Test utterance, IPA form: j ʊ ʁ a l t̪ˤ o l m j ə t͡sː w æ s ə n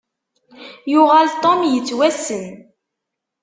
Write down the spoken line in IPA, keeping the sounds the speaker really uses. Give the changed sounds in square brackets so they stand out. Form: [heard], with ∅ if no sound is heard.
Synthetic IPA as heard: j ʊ ʁ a l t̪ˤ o [∅] m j ə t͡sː w æ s ə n